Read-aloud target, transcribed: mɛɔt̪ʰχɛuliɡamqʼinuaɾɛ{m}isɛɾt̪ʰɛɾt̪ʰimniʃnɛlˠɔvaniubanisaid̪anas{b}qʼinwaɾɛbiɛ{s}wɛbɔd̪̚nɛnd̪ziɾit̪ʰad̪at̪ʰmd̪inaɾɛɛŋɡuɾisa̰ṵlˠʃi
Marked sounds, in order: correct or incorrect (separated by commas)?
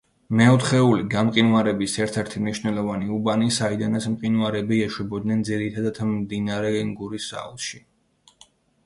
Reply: incorrect, incorrect, incorrect